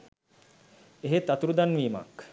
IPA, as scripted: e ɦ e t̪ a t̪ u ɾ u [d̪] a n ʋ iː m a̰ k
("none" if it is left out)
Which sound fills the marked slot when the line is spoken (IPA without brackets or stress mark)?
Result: d̪